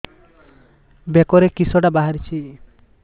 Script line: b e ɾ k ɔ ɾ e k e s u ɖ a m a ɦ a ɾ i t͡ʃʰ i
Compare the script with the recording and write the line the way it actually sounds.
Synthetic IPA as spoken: b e k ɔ ɾ e k i s ɔ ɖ a b a ɦ a ɾ i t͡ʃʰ i